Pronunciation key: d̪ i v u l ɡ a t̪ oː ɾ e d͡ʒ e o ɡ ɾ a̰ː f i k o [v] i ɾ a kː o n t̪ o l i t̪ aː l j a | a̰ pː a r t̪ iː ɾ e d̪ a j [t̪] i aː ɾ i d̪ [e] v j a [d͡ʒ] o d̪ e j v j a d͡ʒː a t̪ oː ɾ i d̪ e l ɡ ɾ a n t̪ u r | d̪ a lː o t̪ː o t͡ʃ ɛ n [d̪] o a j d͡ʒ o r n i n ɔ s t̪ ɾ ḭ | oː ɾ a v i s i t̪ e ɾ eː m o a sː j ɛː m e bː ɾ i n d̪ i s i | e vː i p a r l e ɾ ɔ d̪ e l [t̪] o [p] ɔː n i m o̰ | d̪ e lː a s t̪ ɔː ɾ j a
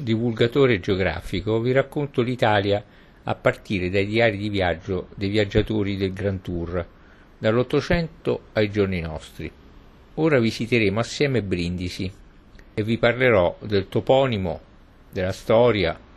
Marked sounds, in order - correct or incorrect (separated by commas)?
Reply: correct, incorrect, incorrect, incorrect, incorrect, correct, correct